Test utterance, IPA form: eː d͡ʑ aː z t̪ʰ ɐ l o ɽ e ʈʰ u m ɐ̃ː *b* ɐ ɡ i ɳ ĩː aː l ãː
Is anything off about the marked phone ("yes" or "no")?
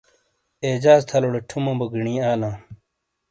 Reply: no